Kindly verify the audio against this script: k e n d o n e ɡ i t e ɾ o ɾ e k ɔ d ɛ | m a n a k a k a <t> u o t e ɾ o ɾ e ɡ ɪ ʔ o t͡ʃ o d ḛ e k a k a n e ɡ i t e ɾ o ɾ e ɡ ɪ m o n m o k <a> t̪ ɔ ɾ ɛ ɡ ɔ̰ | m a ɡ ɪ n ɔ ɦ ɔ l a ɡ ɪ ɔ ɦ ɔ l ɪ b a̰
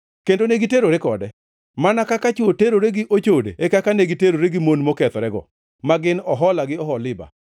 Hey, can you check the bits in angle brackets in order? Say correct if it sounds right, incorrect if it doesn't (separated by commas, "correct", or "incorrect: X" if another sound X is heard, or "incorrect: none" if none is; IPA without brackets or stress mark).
incorrect: t͡ʃ, incorrect: ɛ